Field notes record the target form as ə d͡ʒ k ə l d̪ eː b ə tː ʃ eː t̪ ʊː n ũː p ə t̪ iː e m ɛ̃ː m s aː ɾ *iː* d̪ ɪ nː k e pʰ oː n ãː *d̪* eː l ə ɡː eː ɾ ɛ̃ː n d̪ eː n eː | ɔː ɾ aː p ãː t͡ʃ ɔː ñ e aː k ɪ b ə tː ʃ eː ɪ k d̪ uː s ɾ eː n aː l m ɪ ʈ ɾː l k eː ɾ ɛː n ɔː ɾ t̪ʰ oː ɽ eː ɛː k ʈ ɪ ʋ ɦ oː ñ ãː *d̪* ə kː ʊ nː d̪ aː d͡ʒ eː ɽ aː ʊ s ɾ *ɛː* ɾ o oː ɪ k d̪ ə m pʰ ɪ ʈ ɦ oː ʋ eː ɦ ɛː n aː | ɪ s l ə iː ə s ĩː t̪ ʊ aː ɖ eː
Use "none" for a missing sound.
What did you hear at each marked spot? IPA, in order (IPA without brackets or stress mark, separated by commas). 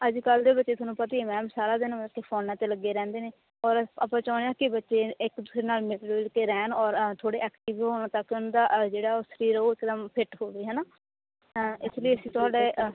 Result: aː, t̪, t̪, iː